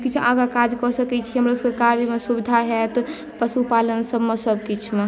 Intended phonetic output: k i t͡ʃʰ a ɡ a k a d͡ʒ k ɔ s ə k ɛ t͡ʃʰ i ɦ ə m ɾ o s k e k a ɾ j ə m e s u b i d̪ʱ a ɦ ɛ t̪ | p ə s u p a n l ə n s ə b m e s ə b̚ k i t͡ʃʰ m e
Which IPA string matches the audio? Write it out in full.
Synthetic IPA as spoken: k i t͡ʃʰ a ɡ a k a d͡ʒ k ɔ s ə k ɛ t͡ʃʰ i ɦ ə m ɾ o s k e k a ɾ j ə m e s u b i d̪ʱ a ɦ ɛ t̪ | p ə s u p a l ə n s ə b m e s ə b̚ k i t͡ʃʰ m e